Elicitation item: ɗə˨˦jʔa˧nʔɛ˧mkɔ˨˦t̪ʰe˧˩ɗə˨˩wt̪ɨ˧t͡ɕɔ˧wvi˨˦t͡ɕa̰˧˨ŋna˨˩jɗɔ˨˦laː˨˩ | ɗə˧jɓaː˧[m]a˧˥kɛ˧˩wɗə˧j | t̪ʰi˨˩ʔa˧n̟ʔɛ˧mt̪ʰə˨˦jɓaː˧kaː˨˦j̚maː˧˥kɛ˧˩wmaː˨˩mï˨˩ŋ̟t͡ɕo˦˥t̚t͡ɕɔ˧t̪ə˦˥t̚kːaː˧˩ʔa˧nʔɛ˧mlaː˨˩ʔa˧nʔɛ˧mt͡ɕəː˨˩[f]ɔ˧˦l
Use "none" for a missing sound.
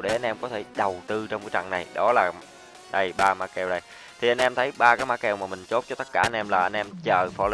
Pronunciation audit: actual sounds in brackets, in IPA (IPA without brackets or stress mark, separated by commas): m, f